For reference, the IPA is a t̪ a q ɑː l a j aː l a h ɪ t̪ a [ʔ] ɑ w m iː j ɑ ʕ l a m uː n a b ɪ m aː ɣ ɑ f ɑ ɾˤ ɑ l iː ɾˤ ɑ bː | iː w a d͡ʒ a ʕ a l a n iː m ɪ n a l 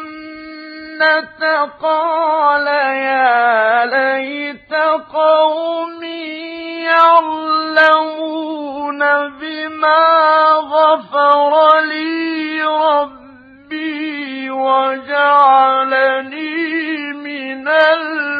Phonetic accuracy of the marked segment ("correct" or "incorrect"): incorrect